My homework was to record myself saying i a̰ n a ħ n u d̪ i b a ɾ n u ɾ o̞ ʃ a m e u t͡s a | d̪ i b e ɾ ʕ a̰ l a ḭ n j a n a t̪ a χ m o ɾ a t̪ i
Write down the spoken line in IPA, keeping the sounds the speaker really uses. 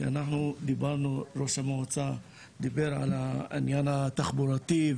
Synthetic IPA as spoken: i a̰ n a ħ n u d̪ i b a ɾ n u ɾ o̞ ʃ a m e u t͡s a | d̪ i b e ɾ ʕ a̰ l a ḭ n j a n a t̪ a χ b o ɾ a t̪ i